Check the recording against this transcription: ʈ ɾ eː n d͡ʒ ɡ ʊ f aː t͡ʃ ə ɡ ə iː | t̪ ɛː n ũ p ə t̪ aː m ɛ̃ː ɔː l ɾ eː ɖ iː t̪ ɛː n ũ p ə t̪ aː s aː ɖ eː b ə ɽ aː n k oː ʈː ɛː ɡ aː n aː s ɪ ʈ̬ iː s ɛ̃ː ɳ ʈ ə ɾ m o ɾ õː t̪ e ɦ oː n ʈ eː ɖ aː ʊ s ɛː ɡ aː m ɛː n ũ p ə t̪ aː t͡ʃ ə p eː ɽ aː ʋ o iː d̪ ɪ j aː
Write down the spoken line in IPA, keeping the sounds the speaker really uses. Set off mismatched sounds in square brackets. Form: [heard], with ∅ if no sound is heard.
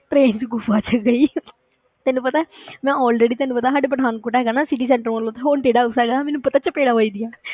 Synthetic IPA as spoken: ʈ ɾ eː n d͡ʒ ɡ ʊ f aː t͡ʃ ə ɡ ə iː | t̪ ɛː n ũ p ə t̪ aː m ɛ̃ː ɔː l ɾ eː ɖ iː t̪ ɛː n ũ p ə t̪ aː s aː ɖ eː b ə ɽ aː n k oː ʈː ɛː ɡ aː n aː s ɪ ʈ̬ iː s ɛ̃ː ɳ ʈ ə ɾ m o [l] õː t̪ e ɦ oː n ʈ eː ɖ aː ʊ s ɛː ɡ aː m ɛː n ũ p ə t̪ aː t͡ʃ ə p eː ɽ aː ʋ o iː d̪ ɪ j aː